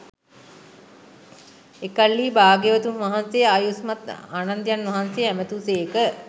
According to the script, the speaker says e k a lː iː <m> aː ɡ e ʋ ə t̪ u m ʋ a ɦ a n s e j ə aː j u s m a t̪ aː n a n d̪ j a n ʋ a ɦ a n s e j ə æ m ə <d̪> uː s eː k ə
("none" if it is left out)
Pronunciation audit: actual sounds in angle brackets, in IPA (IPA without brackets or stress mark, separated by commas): b, t̪